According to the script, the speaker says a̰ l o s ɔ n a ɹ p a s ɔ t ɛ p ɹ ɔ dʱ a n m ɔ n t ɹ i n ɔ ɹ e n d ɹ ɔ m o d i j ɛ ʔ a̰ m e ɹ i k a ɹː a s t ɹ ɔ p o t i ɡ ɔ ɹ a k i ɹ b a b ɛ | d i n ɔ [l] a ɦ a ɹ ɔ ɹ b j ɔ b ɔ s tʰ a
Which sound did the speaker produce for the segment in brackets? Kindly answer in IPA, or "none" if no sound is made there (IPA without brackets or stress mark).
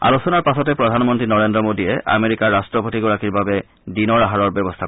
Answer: ɹ